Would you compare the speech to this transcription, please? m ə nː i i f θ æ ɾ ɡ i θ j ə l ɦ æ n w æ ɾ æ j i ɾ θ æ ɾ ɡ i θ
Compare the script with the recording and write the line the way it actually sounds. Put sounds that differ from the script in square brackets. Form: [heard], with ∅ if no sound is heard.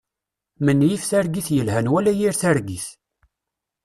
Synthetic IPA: m ə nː [j] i f θ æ ɾ ɡ i θ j ə l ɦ æ n w æ [l] æ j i ɾ θ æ ɾ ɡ i θ